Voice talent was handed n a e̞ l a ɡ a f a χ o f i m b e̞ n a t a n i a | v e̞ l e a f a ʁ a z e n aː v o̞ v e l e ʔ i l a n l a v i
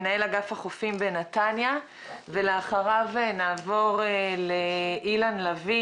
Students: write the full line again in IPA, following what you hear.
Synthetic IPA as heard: n a e̞ l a ɡ a f a χ o f i m b e̞ n a t a n j a | v e̞ l e a χ a ʁ a v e n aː v o̞ ʁ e l e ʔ i l a n l a v i